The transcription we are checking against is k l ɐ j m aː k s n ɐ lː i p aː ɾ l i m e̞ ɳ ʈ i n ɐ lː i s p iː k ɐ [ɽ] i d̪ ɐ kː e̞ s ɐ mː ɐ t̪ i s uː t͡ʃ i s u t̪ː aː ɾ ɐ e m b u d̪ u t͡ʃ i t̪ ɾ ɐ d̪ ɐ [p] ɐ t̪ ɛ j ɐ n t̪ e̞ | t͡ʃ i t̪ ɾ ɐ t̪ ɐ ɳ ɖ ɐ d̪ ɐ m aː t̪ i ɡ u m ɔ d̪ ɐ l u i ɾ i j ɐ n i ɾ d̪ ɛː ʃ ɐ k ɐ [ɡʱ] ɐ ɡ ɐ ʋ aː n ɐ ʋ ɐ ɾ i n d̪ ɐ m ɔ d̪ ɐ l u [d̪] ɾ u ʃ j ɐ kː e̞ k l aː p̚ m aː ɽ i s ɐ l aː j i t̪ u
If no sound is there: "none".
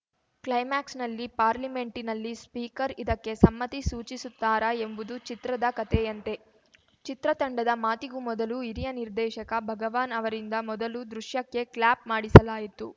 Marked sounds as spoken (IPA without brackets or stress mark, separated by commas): ɾ, k, bʱ, d̪